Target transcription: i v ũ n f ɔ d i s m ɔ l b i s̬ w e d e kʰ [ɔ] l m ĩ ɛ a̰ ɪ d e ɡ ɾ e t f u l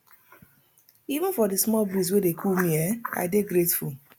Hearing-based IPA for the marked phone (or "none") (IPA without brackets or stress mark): u